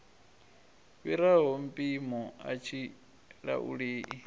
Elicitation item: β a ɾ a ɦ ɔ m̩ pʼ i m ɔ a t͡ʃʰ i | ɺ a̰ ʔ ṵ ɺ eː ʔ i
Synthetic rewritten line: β i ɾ a ɦ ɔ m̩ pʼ i m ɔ a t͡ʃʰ i | ɺ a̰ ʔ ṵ ɺ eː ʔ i